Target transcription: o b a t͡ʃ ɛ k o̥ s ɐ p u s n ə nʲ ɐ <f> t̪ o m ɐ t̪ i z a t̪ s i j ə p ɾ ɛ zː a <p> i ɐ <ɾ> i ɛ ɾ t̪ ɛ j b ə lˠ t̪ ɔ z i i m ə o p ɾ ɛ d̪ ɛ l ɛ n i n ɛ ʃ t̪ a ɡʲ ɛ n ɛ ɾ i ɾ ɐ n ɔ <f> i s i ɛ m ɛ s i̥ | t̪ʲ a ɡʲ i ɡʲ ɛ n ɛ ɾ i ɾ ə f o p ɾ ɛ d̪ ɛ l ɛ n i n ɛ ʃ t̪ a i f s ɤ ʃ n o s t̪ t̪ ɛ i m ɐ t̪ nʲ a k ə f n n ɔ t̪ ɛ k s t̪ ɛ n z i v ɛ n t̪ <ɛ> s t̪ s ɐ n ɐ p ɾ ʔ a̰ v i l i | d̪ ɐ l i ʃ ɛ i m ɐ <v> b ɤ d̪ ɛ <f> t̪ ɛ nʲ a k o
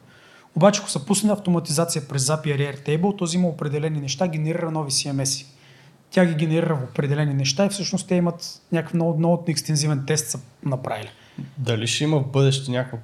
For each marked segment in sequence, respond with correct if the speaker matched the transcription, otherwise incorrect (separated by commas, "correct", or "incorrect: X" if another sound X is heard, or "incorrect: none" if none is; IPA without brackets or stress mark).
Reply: correct, correct, correct, incorrect: v, correct, correct, incorrect: ʃ